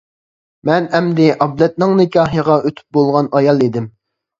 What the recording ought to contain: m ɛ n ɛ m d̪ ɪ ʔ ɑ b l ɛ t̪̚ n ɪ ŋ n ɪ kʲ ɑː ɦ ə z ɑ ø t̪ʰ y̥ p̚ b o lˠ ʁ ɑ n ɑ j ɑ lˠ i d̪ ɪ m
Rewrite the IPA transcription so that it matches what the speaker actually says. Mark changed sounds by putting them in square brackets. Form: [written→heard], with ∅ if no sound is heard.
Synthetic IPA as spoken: m ɛ n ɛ m d̪ ɪ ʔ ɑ b l ɛ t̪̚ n ɪ ŋ n ɪ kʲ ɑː ɦ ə [z→ʁ] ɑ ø t̪ʰ y̥ p̚ b o lˠ ʁ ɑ n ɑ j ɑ lˠ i d̪ ɪ m